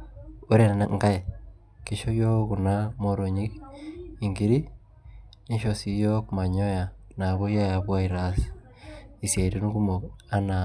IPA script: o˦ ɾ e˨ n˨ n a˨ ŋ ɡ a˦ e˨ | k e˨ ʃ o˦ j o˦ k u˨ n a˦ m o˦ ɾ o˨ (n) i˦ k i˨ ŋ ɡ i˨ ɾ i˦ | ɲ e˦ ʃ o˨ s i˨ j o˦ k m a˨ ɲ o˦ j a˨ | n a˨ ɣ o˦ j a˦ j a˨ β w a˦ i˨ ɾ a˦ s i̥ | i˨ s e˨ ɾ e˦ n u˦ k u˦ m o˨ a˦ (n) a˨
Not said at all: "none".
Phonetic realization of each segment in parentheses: ɲ, n

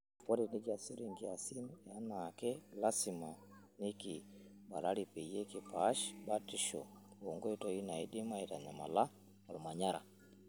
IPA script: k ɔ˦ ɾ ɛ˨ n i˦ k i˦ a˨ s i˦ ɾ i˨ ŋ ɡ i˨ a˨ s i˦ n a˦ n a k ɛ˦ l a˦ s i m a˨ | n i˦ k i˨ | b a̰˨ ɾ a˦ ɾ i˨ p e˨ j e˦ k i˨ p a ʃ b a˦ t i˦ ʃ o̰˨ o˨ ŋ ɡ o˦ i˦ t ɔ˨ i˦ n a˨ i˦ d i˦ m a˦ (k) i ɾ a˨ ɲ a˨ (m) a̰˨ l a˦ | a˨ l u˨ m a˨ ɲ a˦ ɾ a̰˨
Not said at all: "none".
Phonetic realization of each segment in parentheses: none, m

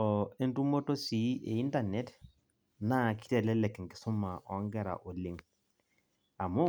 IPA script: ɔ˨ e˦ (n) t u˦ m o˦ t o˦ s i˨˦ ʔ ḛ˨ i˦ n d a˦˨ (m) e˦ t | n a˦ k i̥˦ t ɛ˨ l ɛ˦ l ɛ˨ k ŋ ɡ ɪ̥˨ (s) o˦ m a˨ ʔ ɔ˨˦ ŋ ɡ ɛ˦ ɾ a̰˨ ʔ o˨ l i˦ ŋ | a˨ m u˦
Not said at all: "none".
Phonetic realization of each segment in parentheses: n, n, s

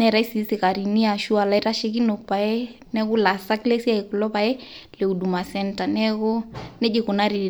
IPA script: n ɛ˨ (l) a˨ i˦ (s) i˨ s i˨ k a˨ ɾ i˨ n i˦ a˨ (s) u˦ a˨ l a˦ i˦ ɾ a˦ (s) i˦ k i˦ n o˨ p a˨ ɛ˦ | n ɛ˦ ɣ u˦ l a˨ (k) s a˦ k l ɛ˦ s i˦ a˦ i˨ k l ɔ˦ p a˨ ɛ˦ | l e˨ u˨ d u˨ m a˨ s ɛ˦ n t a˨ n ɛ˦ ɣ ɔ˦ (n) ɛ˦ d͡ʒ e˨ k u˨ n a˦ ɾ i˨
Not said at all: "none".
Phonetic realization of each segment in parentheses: ɾ, s, ʃ, ʃ, none, n

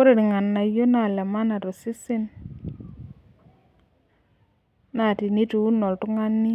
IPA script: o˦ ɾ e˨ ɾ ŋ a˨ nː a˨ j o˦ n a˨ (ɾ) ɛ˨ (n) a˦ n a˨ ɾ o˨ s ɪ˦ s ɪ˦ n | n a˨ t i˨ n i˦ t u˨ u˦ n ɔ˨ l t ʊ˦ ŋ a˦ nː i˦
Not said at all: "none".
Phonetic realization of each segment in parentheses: l, m

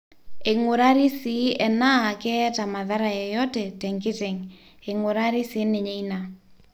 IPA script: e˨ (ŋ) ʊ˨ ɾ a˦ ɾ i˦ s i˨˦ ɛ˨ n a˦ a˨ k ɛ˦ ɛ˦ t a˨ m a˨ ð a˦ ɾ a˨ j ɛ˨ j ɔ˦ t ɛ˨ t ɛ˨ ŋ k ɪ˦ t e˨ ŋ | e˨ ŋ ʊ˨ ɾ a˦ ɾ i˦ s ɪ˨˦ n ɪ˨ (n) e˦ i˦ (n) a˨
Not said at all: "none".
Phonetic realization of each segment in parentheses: ŋ, ɲ, n

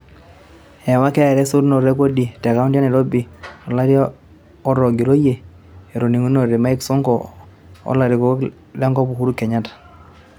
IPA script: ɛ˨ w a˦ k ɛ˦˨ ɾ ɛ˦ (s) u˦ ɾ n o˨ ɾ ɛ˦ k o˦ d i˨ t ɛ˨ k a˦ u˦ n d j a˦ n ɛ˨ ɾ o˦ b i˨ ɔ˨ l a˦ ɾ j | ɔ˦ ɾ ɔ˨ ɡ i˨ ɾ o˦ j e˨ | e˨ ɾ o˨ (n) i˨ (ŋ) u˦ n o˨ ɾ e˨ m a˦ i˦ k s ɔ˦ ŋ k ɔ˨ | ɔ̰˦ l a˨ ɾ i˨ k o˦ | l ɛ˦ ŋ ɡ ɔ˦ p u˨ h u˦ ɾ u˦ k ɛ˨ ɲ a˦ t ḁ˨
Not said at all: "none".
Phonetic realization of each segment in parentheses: s, n, ŋ

